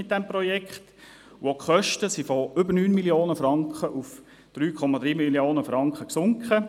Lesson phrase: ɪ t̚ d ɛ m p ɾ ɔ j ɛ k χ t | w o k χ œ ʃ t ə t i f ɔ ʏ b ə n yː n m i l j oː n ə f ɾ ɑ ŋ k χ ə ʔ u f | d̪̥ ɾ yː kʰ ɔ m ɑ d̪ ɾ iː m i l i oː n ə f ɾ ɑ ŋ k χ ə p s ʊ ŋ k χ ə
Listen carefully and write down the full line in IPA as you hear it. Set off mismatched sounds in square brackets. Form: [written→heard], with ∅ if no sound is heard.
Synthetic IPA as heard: ɪ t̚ d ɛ m p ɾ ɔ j ɛ k χ t | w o k χ œ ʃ t ə [t→s] i f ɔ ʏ b ə n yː n m i l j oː n ə f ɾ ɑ ŋ k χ ə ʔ u f | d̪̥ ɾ yː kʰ ɔ m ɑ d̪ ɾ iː m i l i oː n ə f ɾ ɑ ŋ k χ ə [p→k] s ʊ ŋ k χ ə